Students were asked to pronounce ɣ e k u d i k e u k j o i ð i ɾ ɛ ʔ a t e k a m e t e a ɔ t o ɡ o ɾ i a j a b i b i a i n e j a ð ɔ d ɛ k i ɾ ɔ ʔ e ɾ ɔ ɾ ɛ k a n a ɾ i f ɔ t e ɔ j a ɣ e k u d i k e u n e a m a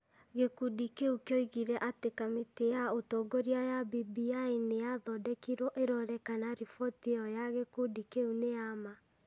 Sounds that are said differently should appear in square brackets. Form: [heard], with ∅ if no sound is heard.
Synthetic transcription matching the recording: ɣ e k u d i k e u k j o i [ɣ] i ɾ ɛ ʔ a t e k a m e t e a [o] t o ɡ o ɾ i a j a b i b i a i n e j a ð ɔ d ɛ k i ɾ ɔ ʔ e ɾ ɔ ɾ ɛ k a n a ɾ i f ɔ t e ɔ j a ɣ e k u d i k e u n e a m a